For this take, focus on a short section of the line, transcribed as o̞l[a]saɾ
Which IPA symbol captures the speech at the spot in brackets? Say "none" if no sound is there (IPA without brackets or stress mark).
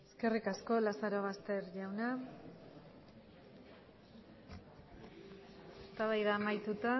a